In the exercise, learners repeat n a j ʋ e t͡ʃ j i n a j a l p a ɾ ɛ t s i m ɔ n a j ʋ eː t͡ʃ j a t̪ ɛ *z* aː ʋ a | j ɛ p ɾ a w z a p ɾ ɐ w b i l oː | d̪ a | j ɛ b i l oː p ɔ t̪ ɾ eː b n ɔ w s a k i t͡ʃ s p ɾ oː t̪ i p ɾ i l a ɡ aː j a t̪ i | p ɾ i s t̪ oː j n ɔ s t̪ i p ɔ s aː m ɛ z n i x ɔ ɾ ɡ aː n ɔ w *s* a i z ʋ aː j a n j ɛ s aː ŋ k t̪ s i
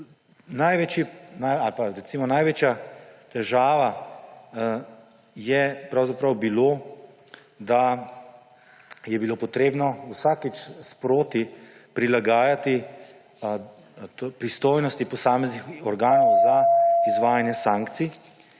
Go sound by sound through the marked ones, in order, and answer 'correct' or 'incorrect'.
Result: incorrect: ʒ, incorrect: z

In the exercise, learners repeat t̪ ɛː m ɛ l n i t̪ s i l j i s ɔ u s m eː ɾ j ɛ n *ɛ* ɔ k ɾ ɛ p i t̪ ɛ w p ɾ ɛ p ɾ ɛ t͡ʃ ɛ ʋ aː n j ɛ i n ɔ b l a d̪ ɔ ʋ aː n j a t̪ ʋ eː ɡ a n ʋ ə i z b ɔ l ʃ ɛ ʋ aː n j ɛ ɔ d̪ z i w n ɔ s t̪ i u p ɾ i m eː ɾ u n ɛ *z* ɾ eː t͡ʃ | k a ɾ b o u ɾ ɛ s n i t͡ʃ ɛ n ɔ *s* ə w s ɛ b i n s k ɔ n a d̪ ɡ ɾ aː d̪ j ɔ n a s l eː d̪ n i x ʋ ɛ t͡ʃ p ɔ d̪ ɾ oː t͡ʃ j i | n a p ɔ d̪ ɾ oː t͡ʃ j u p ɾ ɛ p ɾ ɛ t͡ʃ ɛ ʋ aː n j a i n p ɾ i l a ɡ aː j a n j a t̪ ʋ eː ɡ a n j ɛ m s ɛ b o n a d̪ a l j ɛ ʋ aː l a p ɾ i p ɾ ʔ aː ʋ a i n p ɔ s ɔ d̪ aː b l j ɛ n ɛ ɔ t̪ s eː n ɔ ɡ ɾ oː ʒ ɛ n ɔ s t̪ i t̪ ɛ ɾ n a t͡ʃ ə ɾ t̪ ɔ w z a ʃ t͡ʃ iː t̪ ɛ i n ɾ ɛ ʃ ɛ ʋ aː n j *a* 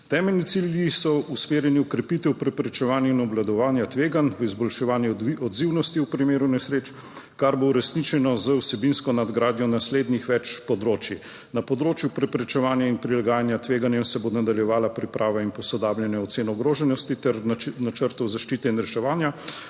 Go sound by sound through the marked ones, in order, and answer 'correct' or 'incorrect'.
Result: incorrect: i, incorrect: s, incorrect: z, correct

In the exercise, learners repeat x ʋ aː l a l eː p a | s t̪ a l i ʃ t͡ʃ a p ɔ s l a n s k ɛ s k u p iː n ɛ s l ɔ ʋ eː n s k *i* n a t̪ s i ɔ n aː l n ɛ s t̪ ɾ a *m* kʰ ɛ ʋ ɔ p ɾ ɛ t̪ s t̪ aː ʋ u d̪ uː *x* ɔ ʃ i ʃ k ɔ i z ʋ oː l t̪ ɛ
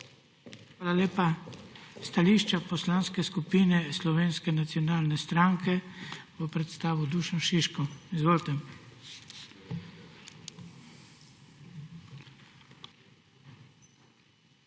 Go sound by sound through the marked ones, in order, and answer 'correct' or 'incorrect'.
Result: incorrect: ɛ, incorrect: ŋ, incorrect: ʃ

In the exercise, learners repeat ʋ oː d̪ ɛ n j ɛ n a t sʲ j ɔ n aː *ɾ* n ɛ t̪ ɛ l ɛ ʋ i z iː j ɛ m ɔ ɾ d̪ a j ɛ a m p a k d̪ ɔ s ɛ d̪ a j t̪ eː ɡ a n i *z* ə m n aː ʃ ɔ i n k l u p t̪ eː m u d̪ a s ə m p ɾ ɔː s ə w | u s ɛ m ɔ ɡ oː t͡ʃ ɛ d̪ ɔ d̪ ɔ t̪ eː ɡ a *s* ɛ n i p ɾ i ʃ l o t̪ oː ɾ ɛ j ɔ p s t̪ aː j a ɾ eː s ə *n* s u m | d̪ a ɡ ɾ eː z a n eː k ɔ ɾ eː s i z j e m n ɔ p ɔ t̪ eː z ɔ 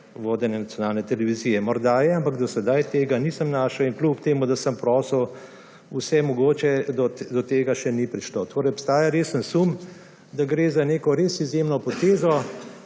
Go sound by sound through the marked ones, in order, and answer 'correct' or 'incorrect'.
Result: incorrect: l, incorrect: s, incorrect: ʃ, correct

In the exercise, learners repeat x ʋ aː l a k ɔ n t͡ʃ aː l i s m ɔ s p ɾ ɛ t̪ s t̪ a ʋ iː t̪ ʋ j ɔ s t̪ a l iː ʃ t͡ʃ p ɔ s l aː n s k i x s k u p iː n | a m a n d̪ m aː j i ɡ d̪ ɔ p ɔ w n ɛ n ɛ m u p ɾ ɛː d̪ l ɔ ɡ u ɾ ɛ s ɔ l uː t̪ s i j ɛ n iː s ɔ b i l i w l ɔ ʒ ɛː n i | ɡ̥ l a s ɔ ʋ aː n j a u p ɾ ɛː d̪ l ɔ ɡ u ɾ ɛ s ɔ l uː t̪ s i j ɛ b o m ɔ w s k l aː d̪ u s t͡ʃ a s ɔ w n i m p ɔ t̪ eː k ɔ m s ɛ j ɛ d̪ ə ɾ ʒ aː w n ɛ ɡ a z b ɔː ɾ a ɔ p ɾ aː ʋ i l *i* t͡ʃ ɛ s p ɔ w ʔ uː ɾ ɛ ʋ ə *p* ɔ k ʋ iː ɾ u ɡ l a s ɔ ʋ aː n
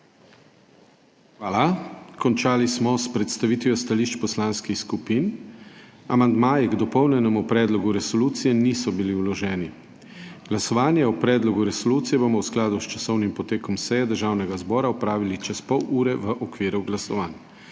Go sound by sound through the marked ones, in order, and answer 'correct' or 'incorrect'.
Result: correct, incorrect: ʔ

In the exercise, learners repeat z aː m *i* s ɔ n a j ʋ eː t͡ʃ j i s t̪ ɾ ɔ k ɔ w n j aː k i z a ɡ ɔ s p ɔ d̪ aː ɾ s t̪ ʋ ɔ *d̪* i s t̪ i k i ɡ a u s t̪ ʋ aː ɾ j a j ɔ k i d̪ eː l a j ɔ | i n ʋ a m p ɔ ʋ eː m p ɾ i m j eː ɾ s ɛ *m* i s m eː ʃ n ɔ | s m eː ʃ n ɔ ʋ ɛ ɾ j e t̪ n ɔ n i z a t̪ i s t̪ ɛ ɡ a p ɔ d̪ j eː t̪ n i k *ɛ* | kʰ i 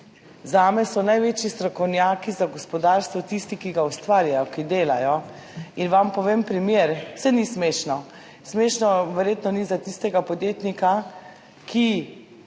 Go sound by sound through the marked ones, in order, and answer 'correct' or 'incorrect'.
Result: incorrect: ɛ, incorrect: t̪, incorrect: n, incorrect: a

